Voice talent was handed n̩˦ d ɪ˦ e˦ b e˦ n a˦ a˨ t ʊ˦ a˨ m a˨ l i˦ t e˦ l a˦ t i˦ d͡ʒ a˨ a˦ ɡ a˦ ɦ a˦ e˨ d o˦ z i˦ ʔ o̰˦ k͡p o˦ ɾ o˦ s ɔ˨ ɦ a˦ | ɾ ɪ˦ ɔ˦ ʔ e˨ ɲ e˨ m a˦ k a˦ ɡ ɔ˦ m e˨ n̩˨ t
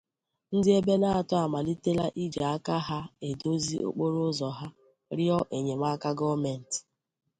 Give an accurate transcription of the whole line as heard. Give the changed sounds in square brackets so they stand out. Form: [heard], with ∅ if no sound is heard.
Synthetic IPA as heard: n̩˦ d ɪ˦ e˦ b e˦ n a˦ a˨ t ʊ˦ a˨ m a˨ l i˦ t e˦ l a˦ [ʔ] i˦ d͡ʒ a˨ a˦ [k] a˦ ɦ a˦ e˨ d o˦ z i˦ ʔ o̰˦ k͡p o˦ ɾ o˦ [z] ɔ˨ ɦ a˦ | ɾ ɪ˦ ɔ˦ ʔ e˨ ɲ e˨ m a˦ k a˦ ɡ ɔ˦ m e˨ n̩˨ t